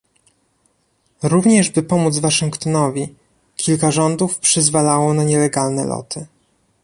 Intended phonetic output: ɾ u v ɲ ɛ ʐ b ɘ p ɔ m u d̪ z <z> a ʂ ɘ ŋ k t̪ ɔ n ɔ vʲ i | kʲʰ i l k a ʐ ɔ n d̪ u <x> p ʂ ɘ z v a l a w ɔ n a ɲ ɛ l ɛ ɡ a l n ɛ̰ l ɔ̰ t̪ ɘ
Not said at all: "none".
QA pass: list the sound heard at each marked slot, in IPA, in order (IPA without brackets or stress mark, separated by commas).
v, f